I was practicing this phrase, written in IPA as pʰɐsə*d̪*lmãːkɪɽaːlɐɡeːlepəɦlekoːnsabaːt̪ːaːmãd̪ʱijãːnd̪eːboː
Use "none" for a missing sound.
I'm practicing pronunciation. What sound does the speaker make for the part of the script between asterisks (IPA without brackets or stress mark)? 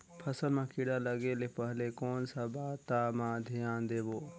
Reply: none